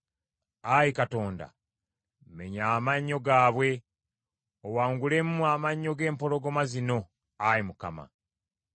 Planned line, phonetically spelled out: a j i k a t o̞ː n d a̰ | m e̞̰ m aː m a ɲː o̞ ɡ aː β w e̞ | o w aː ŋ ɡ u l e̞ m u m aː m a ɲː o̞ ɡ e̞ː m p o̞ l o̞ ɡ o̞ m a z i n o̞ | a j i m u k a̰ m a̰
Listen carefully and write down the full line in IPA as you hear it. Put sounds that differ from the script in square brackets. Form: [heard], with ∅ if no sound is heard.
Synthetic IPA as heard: a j i k a t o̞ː n d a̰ | m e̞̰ [ɲ] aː m a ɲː o̞ ɡ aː β w e̞ | o w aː ŋ ɡ u l e̞ m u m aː m a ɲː o̞ ɡ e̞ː m p o̞ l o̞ ɡ o̞ m a z i n o̞ | a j i m u k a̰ m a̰